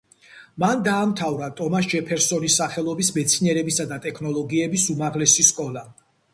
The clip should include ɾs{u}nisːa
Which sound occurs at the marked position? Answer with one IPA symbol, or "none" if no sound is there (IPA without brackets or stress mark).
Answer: ɔ